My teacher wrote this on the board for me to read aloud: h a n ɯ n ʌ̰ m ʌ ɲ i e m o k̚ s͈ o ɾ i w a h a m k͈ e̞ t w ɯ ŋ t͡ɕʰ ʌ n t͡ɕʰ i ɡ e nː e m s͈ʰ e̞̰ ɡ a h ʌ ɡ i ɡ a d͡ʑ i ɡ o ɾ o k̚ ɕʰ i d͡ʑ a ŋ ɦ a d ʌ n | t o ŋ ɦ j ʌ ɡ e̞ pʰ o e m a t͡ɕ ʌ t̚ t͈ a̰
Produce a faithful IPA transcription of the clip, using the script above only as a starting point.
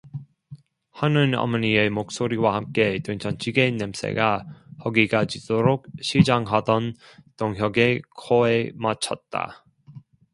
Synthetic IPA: h a n ɯ n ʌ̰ m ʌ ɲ i e m o k̚ s͈ o ɾ i w a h a m k͈ e̞ t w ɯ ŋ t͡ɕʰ ʌ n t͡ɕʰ i ɡ e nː e m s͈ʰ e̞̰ ɡ a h ʌ ɡ i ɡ a d͡ʑ i d o ɾ o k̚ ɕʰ i d͡ʑ a ŋ ɦ a d ʌ n | t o ŋ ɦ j ʌ ɡ e̞ kʰ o e m a t͡ɕʰ ʌ t̚ t͈ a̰

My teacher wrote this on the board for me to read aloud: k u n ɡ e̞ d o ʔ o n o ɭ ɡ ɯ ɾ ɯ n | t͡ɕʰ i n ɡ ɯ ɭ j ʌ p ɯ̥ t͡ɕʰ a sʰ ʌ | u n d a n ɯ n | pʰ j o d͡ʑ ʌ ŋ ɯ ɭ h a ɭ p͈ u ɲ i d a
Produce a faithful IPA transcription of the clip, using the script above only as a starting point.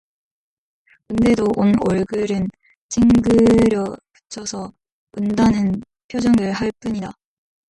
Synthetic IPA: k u n d e̞ d o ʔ o n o ɭ ɡ ɯ ɾ ɯ n | t͡ɕʰ i ŋ ɡ ɯ ɾ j ʌ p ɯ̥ t͡ɕʰ ʌ sʰ ʌ | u n d a n ɯ n | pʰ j o d͡ʑ ʌ ŋ ɯ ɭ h a ɭ p͈ u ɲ i d a

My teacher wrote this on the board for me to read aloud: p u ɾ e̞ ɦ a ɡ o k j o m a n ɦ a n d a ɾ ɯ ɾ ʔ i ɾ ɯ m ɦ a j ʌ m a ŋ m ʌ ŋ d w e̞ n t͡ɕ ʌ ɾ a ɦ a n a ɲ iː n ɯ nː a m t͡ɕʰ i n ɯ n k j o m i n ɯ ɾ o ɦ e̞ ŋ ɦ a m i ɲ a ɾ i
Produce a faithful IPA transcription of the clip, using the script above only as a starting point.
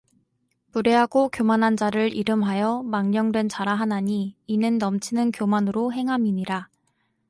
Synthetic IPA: p u ɾ e̞ ɦ a ɡ o k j o m a n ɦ a n d͡ʑ a ɾ ɯ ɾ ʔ i ɾ ɯ m ɦ a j ʌ m a ŋ ɲ ʌ ŋ d w e̞ n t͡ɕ a ɾ a ɦ a n a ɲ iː n ɯ nː ʌ m t͡ɕʰ i n ɯ n k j o m a n ɯ ɾ o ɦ e̞ ŋ ɦ a m i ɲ i ɾ a

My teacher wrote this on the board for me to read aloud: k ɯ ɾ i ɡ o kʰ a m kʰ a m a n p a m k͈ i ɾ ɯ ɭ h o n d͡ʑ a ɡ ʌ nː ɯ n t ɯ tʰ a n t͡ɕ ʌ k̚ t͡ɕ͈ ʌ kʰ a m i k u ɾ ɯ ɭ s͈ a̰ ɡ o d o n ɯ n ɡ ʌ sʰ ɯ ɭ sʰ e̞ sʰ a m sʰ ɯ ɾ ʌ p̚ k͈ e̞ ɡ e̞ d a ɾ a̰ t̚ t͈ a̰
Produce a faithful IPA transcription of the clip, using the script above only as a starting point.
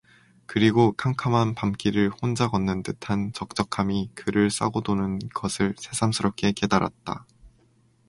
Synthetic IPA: k ɯ ɾ i ɡ o kʰ a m kʰ a m a n p a m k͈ i ɾ ɯ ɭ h o n d͡ʑ a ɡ ʌ nː ɯ n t ɯ tʰ a n t͡ɕ ʌ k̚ t͡ɕ͈ ʌ kʰ a m i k ɯ ɾ ɯ ɭ s͈ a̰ ɡ o d o n ɯ n ɡ ʌ sʰ ɯ ɭ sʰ e̞ sʰ a m sʰ ɯ ɾ ʌ p̚ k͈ e̞ k e̞ d a ɾ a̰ t̚ t͈ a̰

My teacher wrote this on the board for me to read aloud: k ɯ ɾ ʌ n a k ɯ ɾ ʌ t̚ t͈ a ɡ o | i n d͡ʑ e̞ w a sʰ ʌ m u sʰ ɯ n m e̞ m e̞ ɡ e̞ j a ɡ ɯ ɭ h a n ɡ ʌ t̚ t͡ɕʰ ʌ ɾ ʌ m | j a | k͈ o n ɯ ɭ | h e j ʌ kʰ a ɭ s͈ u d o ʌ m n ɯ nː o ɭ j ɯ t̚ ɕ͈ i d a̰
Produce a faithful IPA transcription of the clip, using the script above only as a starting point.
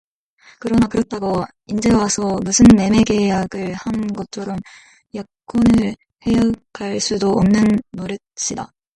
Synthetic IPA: k ɯ ɾ ʌ n a k ɯ ɾ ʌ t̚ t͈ a ɡ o | i n d͡ʑ e̞ w a sʰ ʌ m u sʰ ɯ n m e̞ m e̞ ɡ e̞ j a ɡ ɯ ɭ h a n ɡ ʌ t̚ t͡ɕʰ ʌ ɾ ʌ m | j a | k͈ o n ɯ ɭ | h e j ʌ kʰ a ɭ s͈ u d o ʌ m n ɯ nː o ɾ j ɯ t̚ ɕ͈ i d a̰

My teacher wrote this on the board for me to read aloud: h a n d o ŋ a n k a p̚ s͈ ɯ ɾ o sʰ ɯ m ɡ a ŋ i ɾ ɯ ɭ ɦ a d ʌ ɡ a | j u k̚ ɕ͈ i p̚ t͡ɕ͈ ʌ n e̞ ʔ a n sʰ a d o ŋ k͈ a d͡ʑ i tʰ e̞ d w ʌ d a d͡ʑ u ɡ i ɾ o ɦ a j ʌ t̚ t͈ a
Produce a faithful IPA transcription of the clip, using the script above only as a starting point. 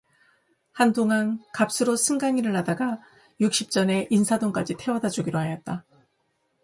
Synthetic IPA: h a n d o ŋ a n k a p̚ s͈ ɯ ɾ o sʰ ɯ ŋ ɡ a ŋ i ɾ ɯ ɭ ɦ a d a ɡ a | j u k̚ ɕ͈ i p̚ t͡ɕ͈ ʌ n e̞ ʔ i n sʰ a d o ŋ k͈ a d͡ʑ i tʰ e̞ w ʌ d a d͡ʑ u ɡ i ɾ o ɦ a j ʌ t̚ t͈ a

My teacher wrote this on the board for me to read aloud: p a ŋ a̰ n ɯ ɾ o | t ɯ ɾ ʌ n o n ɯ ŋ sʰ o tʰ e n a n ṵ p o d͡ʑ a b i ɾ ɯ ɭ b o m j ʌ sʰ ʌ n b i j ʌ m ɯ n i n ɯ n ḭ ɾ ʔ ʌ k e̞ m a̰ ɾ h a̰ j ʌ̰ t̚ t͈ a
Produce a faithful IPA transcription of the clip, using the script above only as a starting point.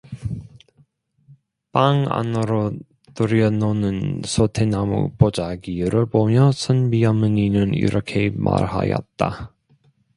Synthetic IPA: p a ŋ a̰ n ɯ ɾ o | t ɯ ɾ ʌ n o n ɯ n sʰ o tʰ e n a m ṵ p o d͡ʑ a ɡ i ɾ ɯ ɭ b o m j ʌ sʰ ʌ n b i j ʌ m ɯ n i n ɯ n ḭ ɾ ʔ ʌ kʰ e̞ m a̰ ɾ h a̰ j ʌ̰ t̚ t͈ a

